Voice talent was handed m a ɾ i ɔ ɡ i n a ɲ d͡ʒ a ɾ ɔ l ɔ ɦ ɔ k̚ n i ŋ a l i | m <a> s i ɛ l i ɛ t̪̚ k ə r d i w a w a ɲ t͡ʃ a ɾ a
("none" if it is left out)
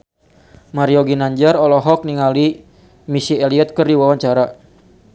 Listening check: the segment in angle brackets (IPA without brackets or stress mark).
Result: i